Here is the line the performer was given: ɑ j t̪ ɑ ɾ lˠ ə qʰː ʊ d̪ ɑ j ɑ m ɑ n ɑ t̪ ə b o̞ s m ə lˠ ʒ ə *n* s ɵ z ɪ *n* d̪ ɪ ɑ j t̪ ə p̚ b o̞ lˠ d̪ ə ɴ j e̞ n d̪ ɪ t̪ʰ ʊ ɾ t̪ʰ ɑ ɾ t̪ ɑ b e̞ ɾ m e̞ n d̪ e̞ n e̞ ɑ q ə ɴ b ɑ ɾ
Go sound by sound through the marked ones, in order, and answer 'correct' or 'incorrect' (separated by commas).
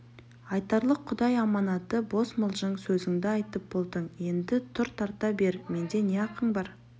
incorrect, incorrect